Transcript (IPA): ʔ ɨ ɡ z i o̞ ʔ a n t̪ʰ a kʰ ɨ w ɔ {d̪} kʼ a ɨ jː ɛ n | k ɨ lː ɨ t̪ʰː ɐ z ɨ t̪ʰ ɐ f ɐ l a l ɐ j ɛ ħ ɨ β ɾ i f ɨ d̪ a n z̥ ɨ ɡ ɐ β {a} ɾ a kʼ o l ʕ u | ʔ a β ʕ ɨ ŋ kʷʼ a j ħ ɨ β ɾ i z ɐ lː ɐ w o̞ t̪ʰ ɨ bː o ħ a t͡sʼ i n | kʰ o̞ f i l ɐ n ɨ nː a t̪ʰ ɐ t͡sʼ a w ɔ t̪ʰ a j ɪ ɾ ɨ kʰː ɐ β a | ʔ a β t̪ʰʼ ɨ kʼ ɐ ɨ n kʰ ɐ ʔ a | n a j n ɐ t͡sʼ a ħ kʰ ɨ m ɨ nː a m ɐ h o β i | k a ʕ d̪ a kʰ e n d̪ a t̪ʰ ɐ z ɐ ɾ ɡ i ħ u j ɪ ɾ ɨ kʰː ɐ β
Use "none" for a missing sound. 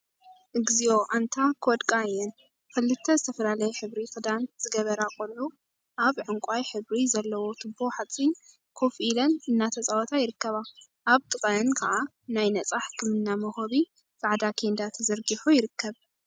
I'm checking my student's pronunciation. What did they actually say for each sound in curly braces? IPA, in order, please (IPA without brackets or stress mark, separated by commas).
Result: d̪, ɐ